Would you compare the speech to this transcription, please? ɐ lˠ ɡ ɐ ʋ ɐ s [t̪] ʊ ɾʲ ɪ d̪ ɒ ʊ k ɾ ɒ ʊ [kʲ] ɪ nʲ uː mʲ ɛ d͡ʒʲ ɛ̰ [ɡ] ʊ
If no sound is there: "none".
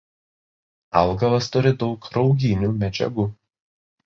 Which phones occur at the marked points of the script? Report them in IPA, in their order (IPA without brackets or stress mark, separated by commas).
t̪, ɡʲ, ɡ